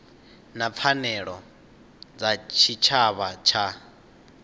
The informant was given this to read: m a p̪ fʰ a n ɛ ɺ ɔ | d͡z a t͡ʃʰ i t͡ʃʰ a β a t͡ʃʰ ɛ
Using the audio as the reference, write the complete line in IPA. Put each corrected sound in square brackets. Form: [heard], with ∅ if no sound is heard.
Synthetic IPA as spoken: [n] a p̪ fʰ a n ɛ ɺ ɔ | d͡z a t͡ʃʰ i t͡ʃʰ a β a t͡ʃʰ [a]